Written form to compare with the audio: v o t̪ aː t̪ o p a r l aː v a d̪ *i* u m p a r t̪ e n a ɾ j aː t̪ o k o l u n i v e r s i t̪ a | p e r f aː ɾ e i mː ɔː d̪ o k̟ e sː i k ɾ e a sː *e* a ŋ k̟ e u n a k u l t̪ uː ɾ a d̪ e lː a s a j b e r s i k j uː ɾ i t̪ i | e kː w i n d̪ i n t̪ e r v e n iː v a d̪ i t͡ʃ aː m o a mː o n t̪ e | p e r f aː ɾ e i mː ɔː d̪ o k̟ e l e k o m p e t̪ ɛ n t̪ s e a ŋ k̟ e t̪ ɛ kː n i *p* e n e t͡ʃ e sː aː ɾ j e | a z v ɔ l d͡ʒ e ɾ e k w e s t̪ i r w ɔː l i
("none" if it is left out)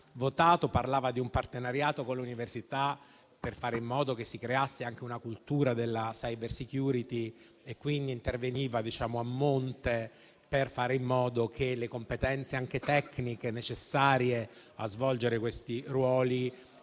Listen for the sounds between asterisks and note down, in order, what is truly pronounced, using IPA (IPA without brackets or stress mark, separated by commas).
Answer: i, e, k